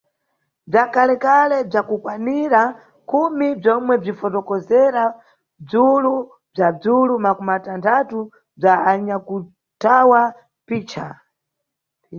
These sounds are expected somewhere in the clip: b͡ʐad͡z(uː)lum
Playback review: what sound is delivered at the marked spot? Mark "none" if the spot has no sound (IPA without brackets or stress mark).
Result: u